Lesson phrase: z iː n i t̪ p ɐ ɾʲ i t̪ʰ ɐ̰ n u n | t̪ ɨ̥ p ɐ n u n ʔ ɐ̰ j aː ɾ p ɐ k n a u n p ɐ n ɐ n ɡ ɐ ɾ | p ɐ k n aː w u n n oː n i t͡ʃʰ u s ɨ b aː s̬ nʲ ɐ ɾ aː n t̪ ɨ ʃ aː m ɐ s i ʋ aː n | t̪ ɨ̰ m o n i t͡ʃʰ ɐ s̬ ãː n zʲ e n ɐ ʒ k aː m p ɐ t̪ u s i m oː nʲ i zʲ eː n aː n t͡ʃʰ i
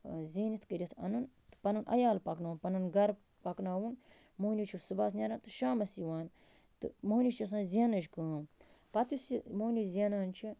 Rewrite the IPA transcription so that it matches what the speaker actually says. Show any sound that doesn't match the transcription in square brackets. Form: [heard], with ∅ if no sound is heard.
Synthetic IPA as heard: z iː n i t̪ [k] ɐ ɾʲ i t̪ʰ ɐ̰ n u n | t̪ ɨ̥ p ɐ n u n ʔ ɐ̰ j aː [l] p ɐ k n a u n p ɐ n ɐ n ɡ ɐ ɾ | p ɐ k n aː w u n [m] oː n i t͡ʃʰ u s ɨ b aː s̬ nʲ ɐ ɾ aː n t̪ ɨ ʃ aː m ɐ s i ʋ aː n | t̪ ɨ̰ m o n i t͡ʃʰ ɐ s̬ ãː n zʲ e n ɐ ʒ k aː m p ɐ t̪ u s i m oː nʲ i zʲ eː n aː n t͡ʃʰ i